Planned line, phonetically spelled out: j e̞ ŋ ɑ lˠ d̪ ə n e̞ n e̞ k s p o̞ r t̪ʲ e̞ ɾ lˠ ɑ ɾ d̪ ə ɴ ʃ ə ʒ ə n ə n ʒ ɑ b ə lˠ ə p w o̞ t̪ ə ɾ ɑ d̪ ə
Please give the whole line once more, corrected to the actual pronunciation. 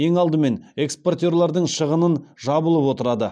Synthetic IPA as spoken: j e̞ ŋ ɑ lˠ d̪ ə m e̞ n e̞ k s p o̞ r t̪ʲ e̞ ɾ lˠ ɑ ɾ d̪ ə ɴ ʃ ə ʁ ə n ə n ʒ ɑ b ə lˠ ə p w o̞ t̪ ə ɾ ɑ d̪ ə